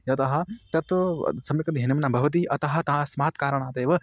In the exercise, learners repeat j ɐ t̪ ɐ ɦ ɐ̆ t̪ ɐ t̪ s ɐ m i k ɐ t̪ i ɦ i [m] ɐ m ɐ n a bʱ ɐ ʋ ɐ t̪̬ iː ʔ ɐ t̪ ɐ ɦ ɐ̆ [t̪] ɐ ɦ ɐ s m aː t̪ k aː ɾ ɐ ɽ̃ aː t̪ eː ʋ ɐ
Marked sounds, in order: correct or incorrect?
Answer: incorrect, correct

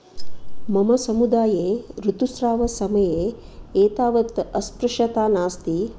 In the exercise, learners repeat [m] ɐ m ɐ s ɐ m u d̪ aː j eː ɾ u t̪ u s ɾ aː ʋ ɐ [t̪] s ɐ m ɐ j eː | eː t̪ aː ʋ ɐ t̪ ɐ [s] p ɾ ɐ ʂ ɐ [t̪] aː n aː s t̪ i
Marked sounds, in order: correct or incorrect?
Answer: correct, incorrect, correct, correct

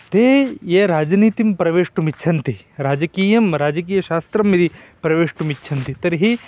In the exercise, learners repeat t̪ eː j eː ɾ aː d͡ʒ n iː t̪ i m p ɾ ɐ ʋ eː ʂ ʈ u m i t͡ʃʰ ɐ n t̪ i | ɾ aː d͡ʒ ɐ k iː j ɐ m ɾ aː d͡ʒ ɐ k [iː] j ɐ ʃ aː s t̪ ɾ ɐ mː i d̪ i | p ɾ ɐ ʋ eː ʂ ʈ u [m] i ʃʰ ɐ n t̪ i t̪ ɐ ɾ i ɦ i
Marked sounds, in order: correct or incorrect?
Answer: correct, correct

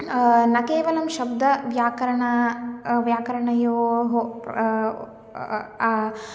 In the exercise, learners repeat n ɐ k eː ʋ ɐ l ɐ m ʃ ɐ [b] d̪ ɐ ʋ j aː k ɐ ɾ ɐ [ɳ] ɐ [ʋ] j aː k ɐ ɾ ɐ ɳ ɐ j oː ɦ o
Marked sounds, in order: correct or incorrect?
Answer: correct, correct, correct

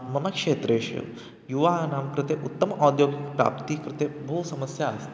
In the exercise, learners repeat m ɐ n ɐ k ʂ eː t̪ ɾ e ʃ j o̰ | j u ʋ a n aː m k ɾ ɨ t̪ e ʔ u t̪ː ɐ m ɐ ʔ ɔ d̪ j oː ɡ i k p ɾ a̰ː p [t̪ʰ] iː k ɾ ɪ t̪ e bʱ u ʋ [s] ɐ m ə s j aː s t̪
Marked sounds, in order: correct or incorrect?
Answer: incorrect, correct

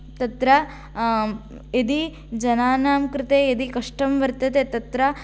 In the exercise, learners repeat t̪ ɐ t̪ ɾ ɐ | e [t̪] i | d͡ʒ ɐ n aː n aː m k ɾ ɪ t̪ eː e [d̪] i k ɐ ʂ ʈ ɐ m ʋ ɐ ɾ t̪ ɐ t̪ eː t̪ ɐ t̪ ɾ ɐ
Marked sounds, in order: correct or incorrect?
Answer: incorrect, correct

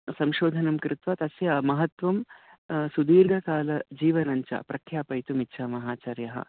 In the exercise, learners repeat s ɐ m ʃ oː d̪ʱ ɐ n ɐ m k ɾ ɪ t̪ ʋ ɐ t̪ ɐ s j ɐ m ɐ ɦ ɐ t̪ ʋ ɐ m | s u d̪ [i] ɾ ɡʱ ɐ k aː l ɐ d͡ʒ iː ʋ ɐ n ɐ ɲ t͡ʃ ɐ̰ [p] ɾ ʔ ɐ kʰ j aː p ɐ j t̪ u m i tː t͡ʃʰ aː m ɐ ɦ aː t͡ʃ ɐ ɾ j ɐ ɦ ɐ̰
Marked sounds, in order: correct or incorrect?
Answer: incorrect, correct

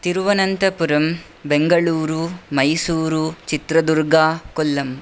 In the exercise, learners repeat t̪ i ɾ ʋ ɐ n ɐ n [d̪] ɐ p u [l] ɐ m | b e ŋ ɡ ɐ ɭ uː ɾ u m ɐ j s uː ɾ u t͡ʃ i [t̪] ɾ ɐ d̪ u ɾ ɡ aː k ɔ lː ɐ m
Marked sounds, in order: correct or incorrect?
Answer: incorrect, incorrect, correct

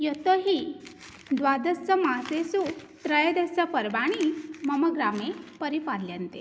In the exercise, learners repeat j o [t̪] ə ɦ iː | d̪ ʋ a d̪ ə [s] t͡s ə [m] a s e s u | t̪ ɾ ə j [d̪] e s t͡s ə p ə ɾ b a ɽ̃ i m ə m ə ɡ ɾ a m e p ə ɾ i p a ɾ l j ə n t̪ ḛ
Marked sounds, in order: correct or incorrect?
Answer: correct, correct, correct, correct

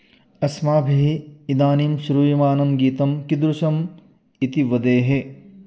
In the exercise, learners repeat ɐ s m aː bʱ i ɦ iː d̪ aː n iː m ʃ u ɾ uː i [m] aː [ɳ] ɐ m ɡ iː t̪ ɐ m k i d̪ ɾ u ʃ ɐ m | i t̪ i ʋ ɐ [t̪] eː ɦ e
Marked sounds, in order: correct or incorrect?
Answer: correct, incorrect, incorrect

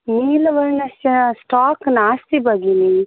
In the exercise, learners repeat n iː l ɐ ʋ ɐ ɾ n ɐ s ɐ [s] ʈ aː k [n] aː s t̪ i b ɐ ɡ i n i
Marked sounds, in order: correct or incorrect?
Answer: correct, correct

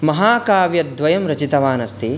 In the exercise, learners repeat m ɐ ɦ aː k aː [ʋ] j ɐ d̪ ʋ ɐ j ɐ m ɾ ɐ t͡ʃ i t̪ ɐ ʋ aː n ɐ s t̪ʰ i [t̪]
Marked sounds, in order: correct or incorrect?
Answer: correct, incorrect

